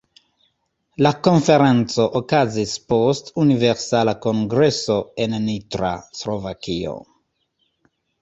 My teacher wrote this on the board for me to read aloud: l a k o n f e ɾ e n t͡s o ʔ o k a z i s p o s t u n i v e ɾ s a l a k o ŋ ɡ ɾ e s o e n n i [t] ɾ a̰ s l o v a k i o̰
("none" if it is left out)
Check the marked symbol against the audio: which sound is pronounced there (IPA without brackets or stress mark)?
t